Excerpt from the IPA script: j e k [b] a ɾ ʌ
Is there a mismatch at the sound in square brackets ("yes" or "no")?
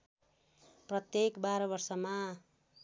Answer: no